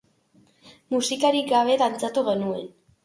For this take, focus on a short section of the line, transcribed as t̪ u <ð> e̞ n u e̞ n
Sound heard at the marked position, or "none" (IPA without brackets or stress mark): ɣ